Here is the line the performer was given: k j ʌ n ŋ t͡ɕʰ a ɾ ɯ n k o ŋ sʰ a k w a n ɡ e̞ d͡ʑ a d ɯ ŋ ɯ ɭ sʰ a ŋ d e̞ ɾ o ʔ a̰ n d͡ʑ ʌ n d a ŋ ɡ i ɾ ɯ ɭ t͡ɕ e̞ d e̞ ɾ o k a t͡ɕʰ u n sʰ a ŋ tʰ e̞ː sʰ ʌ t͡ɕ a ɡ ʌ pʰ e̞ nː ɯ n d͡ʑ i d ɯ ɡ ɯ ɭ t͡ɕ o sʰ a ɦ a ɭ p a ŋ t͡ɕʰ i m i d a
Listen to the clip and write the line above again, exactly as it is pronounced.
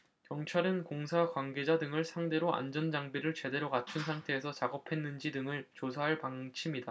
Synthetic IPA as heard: k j ʌ ŋ t͡ɕʰ a ɾ ɯ n k o ŋ sʰ a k w a n ɡ e̞ d͡ʑ a d ɯ ŋ ɯ ɭ sʰ a ŋ d e̞ ɾ o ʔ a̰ n d͡ʑ ʌ n d͡ʑ a ŋ b i ɾ ɯ ɭ t͡ɕ e̞ d e̞ ɾ o k a t͡ɕʰ u n sʰ a ŋ tʰ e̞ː sʰ ʌ t͡ɕ a ɡ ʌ pʰ e̞ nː ɯ n d͡ʑ i d ɯ ŋ ɯ ɭ t͡ɕ o sʰ a ɦ a ɭ p a ŋ t͡ɕʰ i m i d a